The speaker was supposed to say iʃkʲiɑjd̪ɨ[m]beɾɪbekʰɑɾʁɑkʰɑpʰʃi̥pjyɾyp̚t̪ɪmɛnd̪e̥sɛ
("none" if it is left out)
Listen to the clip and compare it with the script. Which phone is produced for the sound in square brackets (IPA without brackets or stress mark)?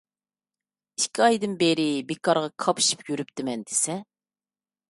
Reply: n